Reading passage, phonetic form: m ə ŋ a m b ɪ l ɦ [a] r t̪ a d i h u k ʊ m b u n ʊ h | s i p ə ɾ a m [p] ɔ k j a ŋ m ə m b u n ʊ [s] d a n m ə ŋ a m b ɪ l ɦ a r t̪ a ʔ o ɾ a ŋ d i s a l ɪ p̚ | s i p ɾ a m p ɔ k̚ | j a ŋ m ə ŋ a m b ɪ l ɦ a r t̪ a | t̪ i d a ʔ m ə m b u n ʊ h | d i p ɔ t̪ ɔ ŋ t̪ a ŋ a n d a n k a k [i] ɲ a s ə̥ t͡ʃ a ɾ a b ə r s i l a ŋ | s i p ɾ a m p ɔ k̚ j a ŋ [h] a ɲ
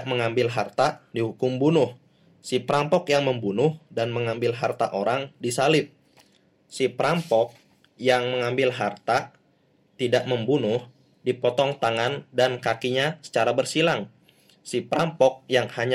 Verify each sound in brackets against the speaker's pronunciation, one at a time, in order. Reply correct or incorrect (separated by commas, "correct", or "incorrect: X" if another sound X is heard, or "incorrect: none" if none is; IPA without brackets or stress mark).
correct, correct, incorrect: h, correct, correct